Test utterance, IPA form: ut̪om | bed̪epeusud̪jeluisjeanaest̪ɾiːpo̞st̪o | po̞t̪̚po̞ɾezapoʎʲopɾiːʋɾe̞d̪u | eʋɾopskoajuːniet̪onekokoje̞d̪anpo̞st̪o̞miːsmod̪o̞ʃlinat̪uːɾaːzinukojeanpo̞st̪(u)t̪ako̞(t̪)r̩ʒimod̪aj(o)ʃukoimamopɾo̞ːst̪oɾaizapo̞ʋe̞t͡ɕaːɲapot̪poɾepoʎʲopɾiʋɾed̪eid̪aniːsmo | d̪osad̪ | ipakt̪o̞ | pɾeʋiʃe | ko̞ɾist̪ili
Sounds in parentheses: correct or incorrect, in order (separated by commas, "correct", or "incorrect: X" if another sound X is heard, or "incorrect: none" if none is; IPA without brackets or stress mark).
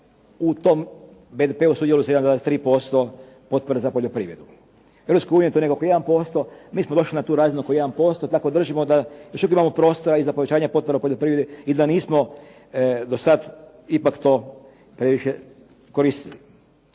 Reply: incorrect: o, incorrect: d̪, correct